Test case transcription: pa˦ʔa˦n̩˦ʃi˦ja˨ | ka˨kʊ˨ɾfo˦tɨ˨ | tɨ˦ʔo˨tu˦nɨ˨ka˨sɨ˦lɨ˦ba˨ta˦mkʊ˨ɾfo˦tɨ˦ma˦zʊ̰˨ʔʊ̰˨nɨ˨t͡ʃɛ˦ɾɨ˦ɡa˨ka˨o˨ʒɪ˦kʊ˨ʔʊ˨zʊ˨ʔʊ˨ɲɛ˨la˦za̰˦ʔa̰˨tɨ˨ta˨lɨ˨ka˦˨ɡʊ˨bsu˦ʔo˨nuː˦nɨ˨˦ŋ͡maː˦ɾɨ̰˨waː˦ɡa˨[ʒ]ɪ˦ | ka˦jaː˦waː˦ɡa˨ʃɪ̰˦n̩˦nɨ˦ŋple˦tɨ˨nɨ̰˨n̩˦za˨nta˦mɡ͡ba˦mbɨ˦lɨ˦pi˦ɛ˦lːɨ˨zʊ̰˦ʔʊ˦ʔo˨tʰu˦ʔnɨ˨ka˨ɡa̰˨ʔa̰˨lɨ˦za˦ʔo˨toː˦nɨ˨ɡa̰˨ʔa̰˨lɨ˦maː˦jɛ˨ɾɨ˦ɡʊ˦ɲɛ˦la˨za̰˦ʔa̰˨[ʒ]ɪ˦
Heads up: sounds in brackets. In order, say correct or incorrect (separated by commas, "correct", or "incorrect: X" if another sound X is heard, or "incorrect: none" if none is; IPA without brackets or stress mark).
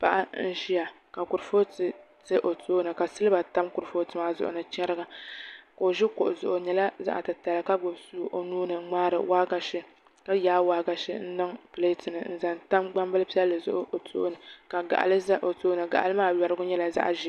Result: incorrect: ʃ, correct